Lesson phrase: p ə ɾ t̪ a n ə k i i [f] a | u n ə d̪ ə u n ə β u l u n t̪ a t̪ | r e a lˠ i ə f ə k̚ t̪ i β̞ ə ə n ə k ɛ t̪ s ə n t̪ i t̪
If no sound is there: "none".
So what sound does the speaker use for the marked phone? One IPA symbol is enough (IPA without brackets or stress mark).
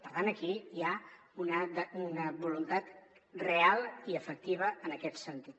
none